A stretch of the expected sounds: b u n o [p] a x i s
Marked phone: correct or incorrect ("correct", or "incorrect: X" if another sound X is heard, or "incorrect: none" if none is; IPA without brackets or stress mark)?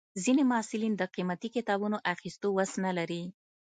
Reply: incorrect: ʔ